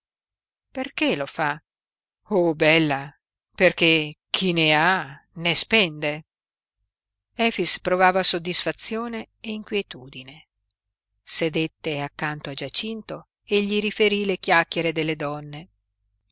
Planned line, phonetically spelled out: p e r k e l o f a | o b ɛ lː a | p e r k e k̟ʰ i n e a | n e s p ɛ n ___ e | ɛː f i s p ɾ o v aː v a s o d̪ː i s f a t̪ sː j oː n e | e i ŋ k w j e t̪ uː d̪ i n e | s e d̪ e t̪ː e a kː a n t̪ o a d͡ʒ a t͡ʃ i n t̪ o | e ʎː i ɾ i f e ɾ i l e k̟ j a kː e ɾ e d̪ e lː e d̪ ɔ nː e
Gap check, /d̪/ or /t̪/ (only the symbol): d̪